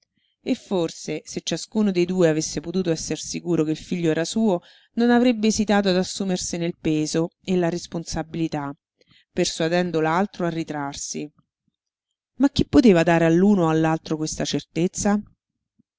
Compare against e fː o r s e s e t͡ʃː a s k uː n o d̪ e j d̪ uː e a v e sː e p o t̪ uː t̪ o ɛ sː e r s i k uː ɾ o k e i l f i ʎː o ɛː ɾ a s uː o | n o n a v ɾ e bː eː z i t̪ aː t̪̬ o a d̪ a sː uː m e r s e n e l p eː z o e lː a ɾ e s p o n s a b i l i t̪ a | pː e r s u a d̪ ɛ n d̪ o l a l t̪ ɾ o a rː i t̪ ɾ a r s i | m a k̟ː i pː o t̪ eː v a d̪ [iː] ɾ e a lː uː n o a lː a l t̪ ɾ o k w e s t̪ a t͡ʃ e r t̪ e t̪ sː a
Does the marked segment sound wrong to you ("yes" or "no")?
yes